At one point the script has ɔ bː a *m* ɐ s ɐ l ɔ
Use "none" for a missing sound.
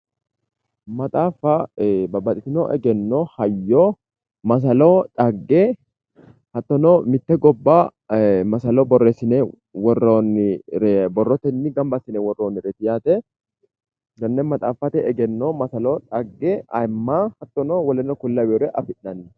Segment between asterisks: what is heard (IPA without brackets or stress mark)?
m